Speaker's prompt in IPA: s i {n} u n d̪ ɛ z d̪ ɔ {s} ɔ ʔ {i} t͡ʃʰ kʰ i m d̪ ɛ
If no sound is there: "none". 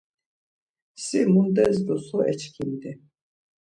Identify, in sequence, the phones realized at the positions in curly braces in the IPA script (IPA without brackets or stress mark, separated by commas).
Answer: m, s, ɛ